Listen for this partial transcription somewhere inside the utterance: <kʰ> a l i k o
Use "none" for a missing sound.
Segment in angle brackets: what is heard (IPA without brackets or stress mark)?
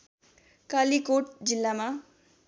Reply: k